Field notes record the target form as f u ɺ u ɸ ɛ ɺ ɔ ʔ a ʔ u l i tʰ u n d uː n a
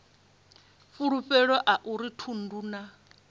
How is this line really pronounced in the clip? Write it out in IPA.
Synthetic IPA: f u ɺ u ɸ ɛ ɺ ɔ ʔ a ʔ u ɾ i tʰ u n d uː n a

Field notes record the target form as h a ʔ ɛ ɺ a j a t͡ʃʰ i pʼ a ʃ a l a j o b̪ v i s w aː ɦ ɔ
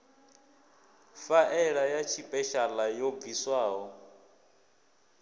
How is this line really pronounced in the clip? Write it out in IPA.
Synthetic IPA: f a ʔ ɛ ɺ a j a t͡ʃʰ i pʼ ɛ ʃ a l a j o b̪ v i s w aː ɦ ɔ

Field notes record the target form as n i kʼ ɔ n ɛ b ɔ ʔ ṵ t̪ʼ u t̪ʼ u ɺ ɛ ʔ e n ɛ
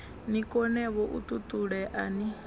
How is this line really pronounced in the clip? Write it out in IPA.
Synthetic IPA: n i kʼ ɔ n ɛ β ɔ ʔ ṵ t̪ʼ u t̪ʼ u ɺ ɛ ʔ a n i

